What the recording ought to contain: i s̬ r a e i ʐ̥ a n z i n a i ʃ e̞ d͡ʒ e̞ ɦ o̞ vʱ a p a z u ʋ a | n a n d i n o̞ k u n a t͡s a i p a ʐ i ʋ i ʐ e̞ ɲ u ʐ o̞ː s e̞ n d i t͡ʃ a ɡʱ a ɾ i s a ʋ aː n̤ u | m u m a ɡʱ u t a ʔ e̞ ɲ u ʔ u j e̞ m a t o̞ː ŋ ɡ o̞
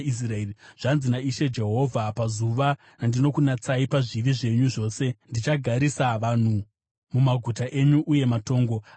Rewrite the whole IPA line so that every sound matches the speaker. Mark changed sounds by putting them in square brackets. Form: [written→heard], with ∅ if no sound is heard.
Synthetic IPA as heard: i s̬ r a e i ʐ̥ a n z i n a i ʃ e̞ d͡ʒ e̞ ɦ o̞ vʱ a p a z u ʋ a | n a n d i n o̞ k u n a t͡s a i p a ʐ i ʋ i ʐ e̞ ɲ u ʐ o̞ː s e̞ n d i t͡ʃ a ɡʱ a ɾ i s a ʋ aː n̤ u | m u m a ɡʱ u t a ʔ e̞ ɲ u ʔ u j e̞ m a t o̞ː ŋ ɡ o̞

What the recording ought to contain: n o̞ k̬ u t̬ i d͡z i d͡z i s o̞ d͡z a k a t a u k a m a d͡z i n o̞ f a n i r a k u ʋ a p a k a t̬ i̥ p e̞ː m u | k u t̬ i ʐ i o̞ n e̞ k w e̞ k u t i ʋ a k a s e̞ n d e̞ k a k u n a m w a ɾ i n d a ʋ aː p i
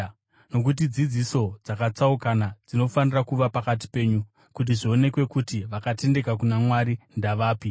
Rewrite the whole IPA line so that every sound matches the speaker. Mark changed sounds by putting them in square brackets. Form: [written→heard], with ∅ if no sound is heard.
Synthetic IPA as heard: n o̞ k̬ u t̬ i d͡z i d͡z i s o̞ d͡z a k a [t→t͡s] a u k a [m→n] a d͡z i n o̞ f a n i r a k u ʋ a p a k a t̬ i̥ p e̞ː [m→ɲ] u | k u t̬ i ʐ i o̞ n e̞ k w e̞ k u t i ʋ a k a [s→t] e̞ n d e̞ k a k u n a m w a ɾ i n d a ʋ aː p i

